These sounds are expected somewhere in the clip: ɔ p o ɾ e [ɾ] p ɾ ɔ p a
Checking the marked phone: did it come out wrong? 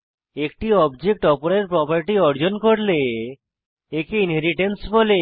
no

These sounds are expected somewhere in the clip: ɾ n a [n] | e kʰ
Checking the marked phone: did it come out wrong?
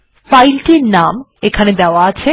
yes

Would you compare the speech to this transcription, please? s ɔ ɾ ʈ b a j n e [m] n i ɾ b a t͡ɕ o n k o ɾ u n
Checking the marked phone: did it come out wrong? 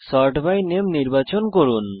no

